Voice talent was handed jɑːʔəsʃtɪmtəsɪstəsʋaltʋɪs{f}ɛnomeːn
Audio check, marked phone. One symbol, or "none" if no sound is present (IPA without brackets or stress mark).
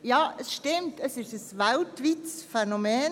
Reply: f